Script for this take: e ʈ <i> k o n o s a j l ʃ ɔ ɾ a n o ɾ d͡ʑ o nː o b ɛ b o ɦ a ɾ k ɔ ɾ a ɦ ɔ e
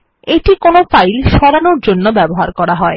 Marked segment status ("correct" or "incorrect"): correct